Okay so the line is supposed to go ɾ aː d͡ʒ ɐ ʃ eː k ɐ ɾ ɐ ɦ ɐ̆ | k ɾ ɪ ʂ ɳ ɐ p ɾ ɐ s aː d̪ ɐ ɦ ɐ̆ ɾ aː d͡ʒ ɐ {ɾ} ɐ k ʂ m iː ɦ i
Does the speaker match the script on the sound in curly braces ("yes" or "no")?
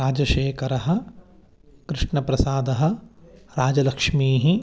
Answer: no